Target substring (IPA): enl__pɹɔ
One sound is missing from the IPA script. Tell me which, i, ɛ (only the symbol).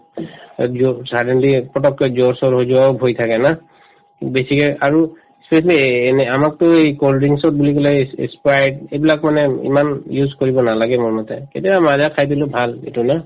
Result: i